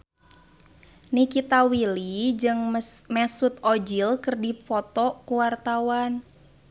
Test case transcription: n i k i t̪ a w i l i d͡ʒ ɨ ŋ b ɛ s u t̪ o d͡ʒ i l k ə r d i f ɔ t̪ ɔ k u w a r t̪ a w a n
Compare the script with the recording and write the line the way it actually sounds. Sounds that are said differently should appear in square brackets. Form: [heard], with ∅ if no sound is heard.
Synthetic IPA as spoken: n i k i t̪ a w i l i d͡ʒ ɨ ŋ [m] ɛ s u t̪ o d͡ʒ i l k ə r d i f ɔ t̪ ɔ k u w a r t̪ a w a n